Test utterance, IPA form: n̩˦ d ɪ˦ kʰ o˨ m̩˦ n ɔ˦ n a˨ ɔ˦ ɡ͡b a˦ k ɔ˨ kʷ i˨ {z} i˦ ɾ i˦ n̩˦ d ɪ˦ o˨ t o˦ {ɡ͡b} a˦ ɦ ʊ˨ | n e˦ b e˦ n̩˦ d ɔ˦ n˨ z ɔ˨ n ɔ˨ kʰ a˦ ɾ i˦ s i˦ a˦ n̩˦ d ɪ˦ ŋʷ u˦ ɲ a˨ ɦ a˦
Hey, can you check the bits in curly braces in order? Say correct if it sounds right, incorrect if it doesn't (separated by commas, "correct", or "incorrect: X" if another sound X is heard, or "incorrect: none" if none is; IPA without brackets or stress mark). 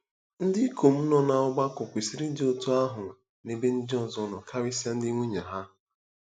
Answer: incorrect: s, incorrect: none